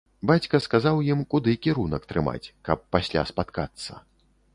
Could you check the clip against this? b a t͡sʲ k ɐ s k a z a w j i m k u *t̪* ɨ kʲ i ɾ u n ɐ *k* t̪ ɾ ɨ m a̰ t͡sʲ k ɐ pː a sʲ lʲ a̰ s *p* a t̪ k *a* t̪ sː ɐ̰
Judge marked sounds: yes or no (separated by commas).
no, yes, yes, yes